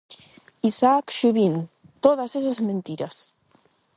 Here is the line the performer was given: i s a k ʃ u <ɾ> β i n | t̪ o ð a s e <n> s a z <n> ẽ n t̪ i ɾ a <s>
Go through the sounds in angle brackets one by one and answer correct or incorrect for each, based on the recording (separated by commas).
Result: incorrect, incorrect, incorrect, correct